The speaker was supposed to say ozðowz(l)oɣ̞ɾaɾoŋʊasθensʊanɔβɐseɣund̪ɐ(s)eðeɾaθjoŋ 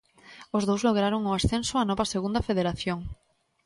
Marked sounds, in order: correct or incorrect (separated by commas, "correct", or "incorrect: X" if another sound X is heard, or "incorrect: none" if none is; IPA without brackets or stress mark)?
correct, incorrect: f